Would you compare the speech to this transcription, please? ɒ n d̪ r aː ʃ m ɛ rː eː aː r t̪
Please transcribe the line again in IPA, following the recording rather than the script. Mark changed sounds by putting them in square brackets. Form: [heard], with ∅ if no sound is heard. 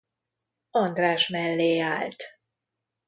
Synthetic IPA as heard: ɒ n d̪ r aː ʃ m ɛ [lː] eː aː [l] t̪